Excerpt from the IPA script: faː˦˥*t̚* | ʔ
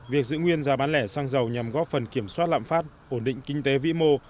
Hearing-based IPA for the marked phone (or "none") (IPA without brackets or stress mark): t̚